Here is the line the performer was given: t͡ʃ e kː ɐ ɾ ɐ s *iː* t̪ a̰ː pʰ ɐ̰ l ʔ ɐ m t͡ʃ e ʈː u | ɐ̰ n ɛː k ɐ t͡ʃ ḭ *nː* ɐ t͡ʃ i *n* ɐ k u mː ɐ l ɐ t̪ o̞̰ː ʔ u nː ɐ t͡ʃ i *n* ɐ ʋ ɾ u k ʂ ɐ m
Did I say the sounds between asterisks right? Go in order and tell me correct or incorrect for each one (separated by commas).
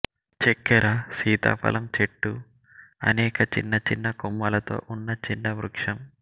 correct, correct, incorrect, incorrect